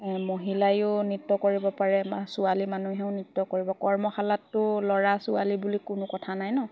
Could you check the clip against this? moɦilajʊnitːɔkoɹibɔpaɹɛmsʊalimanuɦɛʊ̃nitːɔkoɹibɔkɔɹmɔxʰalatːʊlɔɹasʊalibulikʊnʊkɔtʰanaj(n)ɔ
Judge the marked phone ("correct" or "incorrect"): correct